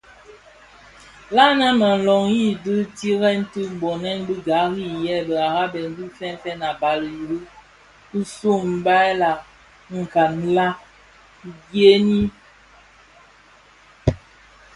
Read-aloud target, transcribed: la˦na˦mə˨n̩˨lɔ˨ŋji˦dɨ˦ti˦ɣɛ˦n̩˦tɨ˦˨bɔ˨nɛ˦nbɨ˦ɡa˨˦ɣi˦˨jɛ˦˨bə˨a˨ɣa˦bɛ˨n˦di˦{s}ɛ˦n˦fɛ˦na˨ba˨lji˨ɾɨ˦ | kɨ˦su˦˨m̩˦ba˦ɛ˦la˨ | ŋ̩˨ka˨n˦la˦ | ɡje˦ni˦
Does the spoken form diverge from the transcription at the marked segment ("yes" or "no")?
yes